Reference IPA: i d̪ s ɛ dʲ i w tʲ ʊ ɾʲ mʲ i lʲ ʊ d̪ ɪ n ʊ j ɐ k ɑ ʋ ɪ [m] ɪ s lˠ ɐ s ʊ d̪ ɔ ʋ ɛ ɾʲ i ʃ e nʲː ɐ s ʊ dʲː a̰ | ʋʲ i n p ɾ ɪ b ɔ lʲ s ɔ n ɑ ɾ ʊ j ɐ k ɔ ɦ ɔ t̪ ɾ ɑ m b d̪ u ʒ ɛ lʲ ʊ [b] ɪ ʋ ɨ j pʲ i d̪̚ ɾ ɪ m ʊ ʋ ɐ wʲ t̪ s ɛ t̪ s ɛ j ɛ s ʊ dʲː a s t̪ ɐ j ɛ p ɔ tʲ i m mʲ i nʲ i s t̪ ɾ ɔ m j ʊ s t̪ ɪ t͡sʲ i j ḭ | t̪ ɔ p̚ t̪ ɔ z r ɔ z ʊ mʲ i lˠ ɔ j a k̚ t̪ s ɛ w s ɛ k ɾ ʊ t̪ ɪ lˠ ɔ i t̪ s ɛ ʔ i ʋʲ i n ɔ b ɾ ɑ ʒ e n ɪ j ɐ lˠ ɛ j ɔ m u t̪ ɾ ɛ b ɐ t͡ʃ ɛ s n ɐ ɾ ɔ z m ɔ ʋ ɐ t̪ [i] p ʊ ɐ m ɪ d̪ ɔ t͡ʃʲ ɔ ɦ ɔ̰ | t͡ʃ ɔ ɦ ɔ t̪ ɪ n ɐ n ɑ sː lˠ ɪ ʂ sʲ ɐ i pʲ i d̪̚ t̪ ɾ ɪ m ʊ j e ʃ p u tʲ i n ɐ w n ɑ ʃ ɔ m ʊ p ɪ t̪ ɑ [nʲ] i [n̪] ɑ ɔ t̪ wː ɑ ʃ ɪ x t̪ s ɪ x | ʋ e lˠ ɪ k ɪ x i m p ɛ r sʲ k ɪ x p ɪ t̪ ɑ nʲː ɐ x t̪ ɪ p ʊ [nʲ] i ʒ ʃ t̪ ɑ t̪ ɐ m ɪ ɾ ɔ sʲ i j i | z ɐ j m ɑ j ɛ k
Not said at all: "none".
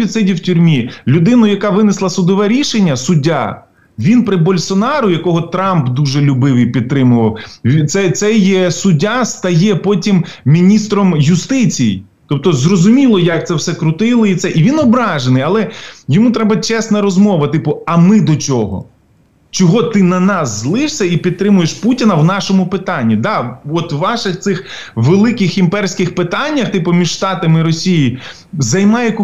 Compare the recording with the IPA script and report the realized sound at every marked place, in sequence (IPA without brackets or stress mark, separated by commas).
n, b, ɪ, nʲː, d̪, mʲ